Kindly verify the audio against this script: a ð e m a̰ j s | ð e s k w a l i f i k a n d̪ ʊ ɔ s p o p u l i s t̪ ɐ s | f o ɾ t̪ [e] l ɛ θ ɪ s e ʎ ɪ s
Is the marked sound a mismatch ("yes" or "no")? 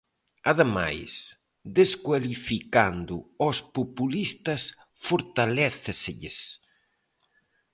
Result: yes